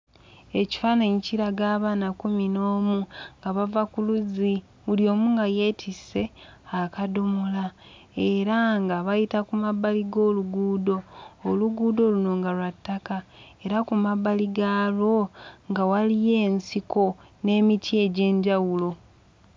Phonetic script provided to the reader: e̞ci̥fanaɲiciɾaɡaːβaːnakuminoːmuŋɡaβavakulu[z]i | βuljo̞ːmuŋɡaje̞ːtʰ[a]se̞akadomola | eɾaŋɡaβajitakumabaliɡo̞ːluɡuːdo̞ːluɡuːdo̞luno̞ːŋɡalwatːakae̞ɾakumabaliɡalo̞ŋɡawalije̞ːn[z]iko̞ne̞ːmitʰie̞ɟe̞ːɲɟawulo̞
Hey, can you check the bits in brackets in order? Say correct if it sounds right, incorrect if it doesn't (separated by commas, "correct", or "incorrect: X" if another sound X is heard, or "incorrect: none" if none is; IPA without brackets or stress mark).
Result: correct, incorrect: i, incorrect: s